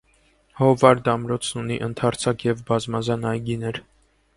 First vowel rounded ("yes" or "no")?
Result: yes